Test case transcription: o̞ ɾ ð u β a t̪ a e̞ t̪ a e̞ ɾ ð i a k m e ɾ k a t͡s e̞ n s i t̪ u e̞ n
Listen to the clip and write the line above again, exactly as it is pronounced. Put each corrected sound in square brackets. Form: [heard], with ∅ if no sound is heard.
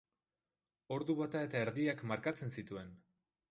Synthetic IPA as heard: o̞ ɾ ð u β a t̪ a e̞ t̪ a e̞ ɾ ð i a k m [a] ɾ k a t͡s e̞ n s i t̪ u e̞ n